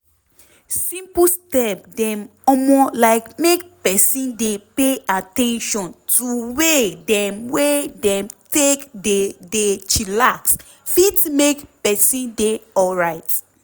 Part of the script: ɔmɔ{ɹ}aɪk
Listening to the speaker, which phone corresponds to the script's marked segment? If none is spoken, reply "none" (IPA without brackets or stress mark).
l